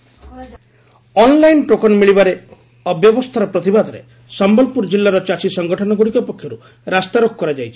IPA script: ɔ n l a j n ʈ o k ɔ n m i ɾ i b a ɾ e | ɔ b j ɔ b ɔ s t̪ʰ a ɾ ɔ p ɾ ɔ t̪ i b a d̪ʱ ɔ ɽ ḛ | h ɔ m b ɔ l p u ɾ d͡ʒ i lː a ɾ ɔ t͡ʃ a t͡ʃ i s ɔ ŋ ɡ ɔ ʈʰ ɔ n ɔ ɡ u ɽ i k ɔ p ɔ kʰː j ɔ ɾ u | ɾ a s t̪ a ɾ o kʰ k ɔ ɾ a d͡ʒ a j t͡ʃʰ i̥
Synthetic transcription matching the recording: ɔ n l a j n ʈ o k ɔ n m i ɭ i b a ɾ e | ɔ b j ɔ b ɔ s t̪ʰ a ɾ ɔ p ɾ ɔ t̪ i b a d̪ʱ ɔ ɾ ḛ | s ɔ m b ɔ l p u ɾ d͡ʒ i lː a ɾ ɔ t͡ʃ a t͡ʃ i s ɔ ŋ ɡ ɔ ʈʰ ɔ n ɔ ɡ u ɽ i k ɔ p ɔ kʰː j ɔ ɾ u | ɾ a s t̪ a ɾ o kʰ k ɔ ɾ a d͡ʒ a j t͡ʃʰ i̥